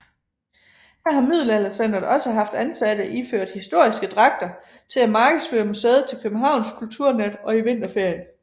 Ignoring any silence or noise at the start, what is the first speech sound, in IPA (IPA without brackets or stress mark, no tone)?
h